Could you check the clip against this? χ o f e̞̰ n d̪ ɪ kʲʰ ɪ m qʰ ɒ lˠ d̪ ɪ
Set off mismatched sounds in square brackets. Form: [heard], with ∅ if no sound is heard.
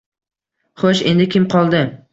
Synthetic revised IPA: χ o [ʃ] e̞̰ n d̪ ɪ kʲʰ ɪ m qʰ ɒ lˠ d̪ ɪ